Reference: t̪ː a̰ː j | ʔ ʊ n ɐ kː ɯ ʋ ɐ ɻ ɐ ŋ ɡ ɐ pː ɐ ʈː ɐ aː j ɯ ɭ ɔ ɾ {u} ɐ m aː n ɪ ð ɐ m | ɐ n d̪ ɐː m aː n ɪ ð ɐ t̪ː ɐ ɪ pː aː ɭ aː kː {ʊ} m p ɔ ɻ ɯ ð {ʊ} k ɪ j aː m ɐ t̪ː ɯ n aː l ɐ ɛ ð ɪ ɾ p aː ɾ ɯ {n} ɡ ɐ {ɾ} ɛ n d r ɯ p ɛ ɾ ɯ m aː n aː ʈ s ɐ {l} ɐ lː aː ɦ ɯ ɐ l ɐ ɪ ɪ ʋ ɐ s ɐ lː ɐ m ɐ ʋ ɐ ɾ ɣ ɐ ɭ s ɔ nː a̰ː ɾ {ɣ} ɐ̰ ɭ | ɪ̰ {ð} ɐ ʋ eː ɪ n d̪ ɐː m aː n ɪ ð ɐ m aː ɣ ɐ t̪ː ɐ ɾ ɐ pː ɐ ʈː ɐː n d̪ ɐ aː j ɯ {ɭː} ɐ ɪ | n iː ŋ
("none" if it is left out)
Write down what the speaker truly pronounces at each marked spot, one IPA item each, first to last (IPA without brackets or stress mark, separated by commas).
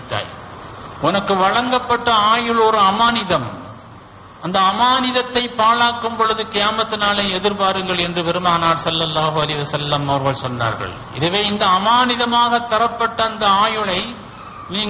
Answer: ɯ, ɯ, ɯ, ŋ, ɭ, lː, ɣ, ð, ɭ